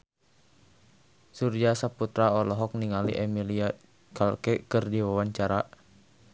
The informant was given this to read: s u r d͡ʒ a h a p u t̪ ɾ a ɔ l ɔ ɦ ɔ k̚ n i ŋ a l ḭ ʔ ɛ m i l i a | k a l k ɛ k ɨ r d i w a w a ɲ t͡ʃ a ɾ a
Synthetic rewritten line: s u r d͡ʒ a s a p u t̪ ɾ a ɔ l ɔ ɦ ɔ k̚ n i ŋ a l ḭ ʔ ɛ m i l i a | k a l k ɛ k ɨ r d i w a w a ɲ t͡ʃ a ɾ a